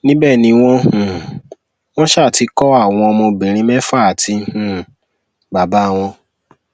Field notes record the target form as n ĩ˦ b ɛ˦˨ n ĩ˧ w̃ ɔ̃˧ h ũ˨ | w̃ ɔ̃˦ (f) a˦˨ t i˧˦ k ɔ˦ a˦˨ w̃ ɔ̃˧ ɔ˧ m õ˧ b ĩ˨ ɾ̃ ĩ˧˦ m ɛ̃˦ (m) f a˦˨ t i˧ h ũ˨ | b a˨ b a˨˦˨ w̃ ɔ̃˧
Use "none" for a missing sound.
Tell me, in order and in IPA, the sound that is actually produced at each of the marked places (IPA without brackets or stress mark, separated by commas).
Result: ʃ, none